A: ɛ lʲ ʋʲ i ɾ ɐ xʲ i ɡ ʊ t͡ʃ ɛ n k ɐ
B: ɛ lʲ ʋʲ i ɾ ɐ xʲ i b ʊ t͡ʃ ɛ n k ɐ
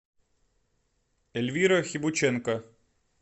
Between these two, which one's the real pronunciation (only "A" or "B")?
B